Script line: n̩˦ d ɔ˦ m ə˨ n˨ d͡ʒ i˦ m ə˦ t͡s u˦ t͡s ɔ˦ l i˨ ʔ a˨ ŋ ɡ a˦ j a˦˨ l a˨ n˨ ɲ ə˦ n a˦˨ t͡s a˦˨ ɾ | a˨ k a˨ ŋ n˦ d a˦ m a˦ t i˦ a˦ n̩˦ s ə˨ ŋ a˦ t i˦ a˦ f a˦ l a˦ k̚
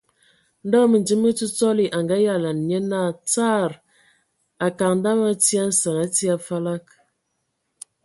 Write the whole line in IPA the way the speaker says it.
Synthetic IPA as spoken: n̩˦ d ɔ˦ m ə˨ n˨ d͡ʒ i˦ m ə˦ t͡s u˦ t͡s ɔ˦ l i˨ ʔ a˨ ŋ ɡ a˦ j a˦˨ l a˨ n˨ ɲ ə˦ n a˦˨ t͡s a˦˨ ɾ | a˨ k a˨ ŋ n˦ d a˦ m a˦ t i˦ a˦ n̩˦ s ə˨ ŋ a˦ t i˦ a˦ f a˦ l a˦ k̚